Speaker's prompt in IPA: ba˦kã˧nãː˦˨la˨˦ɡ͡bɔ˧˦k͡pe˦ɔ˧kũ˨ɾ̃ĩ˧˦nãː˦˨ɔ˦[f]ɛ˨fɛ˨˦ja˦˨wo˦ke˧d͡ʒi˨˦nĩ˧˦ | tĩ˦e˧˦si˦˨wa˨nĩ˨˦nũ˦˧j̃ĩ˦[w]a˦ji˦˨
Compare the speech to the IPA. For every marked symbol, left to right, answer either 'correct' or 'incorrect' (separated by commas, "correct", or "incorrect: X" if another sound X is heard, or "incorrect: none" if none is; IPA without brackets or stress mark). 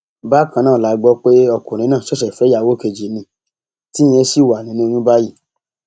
incorrect: ʃ, incorrect: b